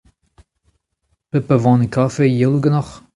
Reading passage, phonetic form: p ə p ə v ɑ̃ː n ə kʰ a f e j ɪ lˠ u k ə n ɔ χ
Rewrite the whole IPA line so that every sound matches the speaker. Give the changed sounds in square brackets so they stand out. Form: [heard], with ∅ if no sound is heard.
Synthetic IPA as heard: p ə p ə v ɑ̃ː n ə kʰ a f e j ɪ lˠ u [ɡ] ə n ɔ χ